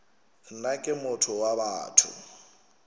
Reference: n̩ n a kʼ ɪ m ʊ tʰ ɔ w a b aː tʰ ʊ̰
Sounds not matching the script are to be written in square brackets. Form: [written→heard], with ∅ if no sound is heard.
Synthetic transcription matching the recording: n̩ n a kʼ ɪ m ʊ tʰ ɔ w a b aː tʰ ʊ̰